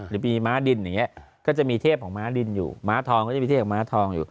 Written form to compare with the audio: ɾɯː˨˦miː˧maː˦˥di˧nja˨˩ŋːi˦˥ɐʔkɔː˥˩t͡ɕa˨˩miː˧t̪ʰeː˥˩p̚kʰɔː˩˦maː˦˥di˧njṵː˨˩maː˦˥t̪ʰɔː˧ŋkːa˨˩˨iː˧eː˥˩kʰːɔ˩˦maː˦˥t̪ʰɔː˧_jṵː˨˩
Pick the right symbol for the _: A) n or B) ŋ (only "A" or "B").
B